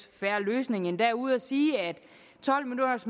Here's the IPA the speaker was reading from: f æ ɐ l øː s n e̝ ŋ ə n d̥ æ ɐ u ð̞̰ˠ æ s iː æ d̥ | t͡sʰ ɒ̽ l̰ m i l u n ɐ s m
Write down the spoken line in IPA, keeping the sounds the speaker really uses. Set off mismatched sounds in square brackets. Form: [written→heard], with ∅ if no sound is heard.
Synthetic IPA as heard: f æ ɐ l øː s n e̝ ŋ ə n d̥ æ ɐ u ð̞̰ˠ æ s iː æ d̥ | t͡sʰ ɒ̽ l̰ m i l u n ɐ s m